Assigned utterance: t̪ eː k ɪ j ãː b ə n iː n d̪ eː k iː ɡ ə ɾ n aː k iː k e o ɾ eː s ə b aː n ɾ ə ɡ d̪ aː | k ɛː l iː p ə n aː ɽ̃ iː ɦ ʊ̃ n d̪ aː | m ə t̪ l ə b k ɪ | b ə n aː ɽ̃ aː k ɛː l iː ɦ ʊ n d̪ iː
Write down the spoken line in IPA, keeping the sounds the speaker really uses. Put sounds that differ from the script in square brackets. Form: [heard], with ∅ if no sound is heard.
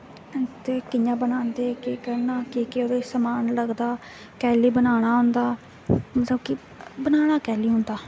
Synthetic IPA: t̪ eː k ɪ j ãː b ə n [aː] n d̪ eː k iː [k] ə ɾ n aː k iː k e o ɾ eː s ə [m] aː n [l] ə ɡ d̪ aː | k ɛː l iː [b] ə n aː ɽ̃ [aː] ɦ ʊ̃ n d̪ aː | m ə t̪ l ə b k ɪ | b ə n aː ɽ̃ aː k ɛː l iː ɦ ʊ n d̪ [aː]